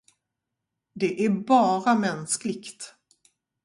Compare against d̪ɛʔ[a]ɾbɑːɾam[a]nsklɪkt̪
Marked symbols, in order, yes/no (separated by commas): no, no